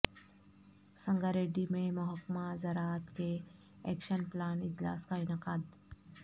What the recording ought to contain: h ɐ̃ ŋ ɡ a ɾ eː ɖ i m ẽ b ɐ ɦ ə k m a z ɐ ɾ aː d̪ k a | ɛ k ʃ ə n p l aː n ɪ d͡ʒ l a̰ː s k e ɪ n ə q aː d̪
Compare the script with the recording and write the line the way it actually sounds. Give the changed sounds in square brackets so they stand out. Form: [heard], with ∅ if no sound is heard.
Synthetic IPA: [s] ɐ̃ ŋ ɡ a ɾ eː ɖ i m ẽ [m] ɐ ɦ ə k m a z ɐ ɾ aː [t̪] k [e] | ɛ k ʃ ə n p l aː n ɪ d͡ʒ l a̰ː s k [a] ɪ n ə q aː d̪